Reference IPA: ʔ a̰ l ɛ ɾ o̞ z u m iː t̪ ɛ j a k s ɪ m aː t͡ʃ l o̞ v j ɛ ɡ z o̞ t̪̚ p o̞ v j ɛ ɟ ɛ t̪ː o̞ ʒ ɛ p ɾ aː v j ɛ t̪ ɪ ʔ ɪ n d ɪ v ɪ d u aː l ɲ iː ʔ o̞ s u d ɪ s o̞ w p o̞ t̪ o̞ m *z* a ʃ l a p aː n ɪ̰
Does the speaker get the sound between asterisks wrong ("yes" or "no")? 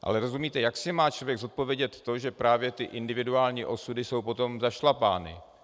no